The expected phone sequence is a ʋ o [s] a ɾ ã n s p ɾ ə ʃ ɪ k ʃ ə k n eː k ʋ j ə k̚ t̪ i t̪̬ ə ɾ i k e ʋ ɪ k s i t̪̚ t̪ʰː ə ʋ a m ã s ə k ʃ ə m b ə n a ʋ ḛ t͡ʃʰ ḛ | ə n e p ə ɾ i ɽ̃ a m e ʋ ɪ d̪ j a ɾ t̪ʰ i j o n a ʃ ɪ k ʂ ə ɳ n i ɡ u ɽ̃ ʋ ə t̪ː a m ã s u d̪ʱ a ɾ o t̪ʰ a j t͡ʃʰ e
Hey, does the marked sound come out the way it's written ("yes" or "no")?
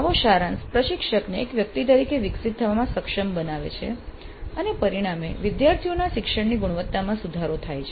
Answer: no